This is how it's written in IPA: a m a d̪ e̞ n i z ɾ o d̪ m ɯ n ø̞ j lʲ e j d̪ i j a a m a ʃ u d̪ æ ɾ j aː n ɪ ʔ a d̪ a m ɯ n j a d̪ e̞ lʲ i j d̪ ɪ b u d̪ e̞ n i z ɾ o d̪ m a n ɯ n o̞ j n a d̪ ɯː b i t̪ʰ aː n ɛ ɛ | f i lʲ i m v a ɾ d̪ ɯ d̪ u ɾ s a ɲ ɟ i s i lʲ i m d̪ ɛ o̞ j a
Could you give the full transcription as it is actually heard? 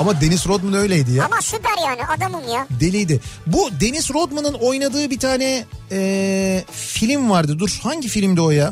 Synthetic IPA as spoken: a m a d̪ e̞ n i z ɾ o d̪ m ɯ n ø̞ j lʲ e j d̪ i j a a m a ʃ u d̪ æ ɾ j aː n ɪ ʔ a d̪ a m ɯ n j a d̪ e̞ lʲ i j d̪ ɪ b u d̪ e̞ n i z ɾ o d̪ m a n ɯ n o̞ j n a d̪ ɯː b i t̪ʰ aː n ɛ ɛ | f i lʲ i m v a ɾ d̪ ɯ d̪ u ɾ h a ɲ ɟ i f i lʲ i m d̪ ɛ o̞ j a